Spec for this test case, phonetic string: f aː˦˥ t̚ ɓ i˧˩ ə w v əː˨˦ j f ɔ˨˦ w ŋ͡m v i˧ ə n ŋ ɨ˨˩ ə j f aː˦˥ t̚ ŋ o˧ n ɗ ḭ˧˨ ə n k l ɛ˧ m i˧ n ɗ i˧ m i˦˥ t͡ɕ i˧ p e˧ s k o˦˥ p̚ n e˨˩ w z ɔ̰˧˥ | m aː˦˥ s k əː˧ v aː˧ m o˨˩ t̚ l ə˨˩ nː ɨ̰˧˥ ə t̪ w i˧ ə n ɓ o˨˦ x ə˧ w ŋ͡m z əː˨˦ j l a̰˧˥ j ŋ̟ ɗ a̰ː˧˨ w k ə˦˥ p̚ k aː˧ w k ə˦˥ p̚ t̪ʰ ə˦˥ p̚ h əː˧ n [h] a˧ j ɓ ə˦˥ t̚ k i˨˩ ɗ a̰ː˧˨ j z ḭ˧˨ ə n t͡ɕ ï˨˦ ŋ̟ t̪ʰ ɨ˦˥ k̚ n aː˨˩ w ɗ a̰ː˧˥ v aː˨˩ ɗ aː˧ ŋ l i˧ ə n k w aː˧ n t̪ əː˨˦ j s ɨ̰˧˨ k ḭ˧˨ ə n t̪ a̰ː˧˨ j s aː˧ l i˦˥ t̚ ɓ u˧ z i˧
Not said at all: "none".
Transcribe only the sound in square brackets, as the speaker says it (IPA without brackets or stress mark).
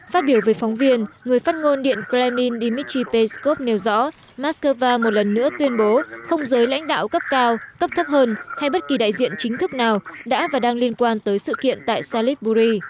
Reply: h